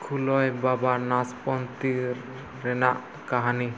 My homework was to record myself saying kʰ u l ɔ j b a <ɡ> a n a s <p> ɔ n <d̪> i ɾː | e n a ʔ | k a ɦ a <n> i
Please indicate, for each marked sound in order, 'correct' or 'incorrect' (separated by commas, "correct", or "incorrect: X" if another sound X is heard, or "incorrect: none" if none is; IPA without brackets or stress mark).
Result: incorrect: b, correct, incorrect: t̪, correct